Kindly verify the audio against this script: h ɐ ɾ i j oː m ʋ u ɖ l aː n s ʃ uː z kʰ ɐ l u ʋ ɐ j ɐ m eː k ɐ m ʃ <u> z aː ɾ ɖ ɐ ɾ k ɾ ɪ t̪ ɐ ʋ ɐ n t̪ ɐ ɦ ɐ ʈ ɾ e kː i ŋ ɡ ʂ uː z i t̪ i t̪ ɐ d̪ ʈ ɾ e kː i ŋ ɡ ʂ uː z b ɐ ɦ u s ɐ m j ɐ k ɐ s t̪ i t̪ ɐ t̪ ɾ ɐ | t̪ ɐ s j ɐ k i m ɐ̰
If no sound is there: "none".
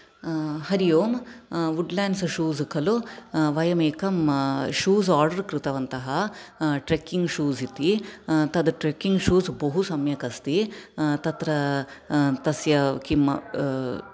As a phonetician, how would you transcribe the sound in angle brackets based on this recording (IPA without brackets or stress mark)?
uː